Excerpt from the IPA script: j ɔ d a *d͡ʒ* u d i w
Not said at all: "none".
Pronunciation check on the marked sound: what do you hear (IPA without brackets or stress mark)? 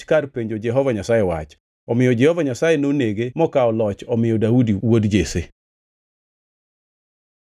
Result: none